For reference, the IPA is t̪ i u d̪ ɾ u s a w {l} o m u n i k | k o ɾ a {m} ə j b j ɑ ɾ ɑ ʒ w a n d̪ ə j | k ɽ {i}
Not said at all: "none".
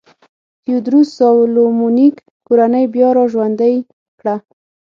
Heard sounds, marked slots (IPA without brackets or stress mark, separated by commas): l, n, a